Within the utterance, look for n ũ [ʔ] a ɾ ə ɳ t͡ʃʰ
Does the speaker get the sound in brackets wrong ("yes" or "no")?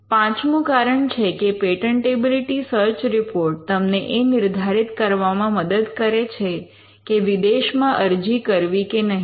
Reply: yes